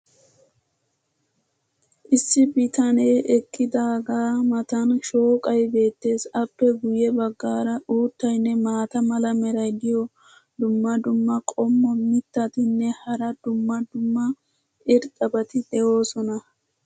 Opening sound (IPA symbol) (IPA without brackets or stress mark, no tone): ʔ